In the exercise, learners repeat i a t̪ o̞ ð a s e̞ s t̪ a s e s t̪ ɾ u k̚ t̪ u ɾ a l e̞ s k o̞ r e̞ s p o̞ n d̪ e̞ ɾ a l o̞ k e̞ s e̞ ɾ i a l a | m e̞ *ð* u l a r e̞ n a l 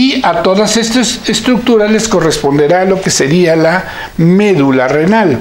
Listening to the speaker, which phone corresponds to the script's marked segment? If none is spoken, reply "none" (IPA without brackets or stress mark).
ð